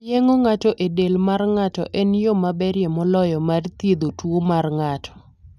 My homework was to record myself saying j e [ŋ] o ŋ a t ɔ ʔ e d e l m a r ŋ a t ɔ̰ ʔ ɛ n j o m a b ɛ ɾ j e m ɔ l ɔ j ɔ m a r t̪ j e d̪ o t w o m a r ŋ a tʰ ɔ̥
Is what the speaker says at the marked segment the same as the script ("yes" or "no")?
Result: yes